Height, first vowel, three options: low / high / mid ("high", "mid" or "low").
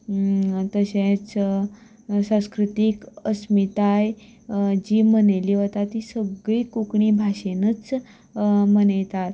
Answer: mid